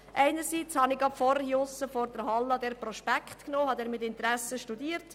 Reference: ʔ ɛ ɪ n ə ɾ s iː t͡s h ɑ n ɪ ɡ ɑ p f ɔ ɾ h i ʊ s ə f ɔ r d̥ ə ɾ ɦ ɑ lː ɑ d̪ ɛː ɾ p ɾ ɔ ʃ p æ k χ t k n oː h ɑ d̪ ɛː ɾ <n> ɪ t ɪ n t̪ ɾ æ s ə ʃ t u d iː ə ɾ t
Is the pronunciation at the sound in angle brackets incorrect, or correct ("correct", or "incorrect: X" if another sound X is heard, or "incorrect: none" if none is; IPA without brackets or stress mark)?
incorrect: m